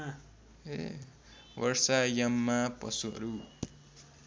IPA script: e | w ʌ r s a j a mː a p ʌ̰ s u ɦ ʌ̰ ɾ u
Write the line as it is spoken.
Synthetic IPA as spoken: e | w ʌ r s a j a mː a p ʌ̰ s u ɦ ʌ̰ ɾ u